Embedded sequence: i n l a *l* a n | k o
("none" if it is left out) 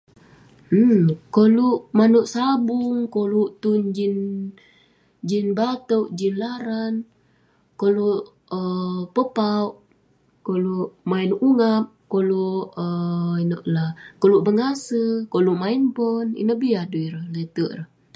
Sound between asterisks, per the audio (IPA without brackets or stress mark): ɾ